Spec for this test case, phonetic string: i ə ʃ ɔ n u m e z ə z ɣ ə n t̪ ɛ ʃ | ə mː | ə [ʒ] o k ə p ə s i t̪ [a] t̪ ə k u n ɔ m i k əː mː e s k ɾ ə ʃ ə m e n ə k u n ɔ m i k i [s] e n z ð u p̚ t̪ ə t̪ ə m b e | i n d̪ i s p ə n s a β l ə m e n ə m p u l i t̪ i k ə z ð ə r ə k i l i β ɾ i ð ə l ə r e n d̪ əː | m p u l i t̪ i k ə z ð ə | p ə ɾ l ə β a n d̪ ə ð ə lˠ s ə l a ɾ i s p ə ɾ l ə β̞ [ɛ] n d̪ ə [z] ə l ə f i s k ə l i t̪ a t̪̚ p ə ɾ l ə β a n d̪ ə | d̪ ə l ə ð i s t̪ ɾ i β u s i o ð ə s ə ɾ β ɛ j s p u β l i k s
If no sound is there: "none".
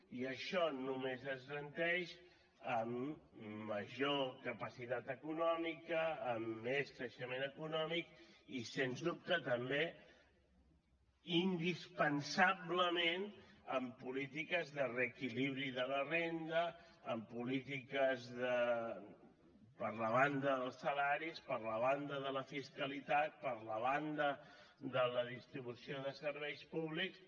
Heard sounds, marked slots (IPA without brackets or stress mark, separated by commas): ʒ, a, s, a, ð